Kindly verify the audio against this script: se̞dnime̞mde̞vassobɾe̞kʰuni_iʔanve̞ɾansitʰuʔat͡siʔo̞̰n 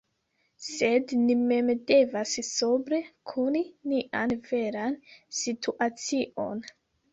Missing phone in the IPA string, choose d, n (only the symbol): n